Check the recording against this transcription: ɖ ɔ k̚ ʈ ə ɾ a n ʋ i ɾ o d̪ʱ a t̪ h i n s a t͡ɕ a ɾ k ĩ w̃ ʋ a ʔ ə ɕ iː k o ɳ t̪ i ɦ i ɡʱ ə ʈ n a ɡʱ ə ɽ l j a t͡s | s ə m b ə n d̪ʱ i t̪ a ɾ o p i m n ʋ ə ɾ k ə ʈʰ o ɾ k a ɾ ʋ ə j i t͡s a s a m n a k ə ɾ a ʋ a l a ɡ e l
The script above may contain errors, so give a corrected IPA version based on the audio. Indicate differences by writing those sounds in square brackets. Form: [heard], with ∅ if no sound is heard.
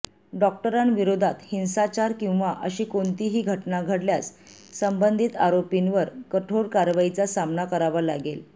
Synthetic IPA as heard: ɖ ɔ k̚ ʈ ə ɾ a n ʋ i ɾ o d̪ʱ a t̪ h i n s a t͡ɕ a ɾ k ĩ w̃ ʋ a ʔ ə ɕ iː k o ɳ t̪ i ɦ [iː] ɡʱ ə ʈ n a ɡʱ ə ɽ l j a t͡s | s ə m b ə n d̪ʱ i t̪ a ɾ o p i [∅] n ʋ ə ɾ k ə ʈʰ o ɾ k a ɾ ʋ [a] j i t͡s a s a m n a k ə ɾ a ʋ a l a ɡ e l